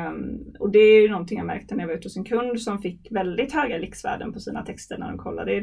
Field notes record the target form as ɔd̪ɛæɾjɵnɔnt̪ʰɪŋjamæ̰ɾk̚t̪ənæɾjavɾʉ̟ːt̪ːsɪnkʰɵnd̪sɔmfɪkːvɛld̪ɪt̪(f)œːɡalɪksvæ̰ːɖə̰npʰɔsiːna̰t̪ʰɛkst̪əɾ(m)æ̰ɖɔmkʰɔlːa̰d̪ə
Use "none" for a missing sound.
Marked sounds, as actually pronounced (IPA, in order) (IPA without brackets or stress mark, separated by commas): h, ɳ